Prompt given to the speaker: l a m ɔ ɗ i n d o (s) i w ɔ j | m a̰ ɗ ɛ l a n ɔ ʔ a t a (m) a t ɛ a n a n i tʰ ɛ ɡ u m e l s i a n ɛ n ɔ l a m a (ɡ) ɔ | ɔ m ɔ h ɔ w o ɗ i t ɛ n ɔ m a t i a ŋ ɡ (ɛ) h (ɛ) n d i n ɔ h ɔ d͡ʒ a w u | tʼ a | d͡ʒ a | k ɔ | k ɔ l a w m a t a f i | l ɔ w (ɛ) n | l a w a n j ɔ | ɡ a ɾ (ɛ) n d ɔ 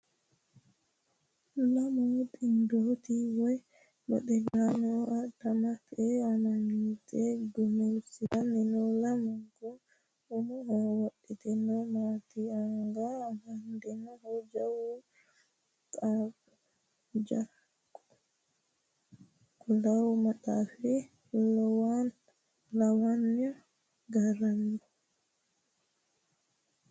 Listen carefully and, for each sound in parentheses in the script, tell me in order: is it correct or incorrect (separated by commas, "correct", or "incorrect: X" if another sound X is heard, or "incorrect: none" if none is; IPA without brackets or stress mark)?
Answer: incorrect: t, correct, correct, incorrect: a, incorrect: a, incorrect: a, incorrect: a